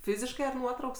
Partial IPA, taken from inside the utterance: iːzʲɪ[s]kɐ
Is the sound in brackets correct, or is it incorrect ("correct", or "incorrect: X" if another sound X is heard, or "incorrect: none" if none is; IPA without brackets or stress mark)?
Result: incorrect: ʃ